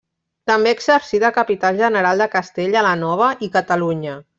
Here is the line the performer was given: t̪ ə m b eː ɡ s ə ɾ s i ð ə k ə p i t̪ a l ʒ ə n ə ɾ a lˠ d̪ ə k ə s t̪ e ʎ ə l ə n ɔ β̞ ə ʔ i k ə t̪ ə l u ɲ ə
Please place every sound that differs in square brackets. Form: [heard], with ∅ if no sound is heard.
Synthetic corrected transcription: t̪ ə m b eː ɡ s ə ɾ s i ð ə k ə p i t̪ a l ʒ ə n ə ɾ a lˠ d̪ ə k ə s t̪ e ʎ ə l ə n ɔ β̞ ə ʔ i k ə t̪ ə l u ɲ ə